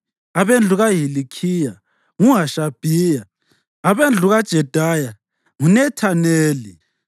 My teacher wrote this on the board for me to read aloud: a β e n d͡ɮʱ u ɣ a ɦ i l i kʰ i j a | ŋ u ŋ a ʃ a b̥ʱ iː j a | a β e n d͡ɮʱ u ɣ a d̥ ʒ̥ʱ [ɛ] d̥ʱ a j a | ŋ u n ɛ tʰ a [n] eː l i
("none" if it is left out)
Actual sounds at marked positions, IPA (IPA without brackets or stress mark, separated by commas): ɛ, n